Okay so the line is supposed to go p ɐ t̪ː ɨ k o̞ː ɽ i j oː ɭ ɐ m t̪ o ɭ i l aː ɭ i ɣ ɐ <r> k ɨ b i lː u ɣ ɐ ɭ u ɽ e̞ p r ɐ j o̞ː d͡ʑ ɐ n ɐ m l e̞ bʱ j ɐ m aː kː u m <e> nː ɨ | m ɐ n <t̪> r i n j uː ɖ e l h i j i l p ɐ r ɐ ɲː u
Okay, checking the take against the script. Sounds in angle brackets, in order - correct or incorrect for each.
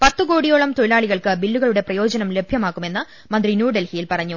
incorrect: ɭ, correct, incorrect: d̪

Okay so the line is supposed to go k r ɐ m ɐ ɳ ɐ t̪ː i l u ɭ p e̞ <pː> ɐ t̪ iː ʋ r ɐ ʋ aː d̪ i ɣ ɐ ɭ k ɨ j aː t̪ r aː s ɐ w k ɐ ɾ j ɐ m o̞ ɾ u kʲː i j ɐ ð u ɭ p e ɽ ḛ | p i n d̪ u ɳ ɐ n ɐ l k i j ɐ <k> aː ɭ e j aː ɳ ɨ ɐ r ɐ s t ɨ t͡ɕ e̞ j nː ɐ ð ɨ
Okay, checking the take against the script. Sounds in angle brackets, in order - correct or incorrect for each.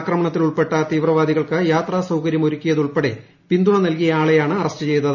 incorrect: ʈː, incorrect: none

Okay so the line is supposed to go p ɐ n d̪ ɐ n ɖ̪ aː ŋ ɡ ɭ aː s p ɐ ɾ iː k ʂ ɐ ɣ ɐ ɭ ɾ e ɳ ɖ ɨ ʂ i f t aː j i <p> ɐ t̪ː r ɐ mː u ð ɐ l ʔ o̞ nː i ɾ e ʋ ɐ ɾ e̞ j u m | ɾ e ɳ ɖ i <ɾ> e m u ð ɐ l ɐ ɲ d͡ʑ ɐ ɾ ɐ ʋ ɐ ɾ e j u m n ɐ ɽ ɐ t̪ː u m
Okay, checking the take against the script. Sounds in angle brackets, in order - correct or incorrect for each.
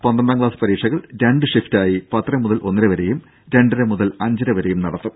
correct, correct

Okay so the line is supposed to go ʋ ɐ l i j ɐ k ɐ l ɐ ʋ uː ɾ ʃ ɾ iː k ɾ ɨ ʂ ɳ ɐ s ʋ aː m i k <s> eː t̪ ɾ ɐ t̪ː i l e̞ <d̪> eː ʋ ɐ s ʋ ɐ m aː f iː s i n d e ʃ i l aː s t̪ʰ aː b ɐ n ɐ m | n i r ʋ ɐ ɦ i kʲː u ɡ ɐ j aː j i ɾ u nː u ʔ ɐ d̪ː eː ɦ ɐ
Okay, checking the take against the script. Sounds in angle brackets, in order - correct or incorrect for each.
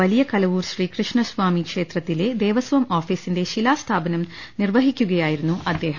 incorrect: ʂ, correct

